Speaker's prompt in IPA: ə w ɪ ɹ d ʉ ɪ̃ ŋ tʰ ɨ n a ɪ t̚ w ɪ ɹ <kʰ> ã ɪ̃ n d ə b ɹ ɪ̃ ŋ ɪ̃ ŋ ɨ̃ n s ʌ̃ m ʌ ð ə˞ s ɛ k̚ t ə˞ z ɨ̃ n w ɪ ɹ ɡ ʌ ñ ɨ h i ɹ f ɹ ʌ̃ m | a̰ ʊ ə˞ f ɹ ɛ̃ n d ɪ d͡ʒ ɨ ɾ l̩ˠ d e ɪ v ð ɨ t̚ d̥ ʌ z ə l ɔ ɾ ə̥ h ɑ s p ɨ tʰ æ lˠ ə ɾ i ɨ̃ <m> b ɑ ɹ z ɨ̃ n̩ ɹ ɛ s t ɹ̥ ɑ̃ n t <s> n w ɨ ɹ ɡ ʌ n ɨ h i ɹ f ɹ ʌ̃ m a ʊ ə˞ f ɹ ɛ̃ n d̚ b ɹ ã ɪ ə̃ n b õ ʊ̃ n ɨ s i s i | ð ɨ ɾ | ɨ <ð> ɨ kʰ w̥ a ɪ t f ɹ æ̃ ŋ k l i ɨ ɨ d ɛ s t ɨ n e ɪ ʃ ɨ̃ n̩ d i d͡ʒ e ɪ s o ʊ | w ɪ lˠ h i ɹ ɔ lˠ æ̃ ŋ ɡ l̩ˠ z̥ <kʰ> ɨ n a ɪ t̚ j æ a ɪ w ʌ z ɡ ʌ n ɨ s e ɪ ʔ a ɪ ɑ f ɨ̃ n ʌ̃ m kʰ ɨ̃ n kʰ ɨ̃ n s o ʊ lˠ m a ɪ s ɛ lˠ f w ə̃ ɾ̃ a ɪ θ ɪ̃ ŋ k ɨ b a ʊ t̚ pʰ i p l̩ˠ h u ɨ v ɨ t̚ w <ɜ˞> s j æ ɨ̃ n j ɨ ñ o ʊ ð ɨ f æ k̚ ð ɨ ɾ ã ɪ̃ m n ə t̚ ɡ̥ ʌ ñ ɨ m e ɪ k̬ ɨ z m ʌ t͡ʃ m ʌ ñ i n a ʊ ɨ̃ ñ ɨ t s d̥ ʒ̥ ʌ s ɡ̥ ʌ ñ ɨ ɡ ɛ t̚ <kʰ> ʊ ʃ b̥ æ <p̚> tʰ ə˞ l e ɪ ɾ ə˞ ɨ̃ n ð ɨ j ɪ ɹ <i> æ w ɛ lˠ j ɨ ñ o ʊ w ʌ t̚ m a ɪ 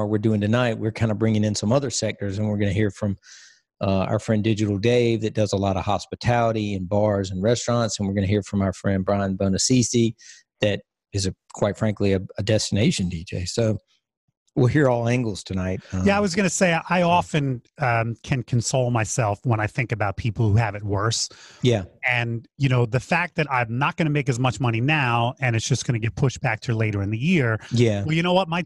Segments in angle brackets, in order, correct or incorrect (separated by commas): correct, incorrect, correct, incorrect, incorrect, correct, incorrect, incorrect, incorrect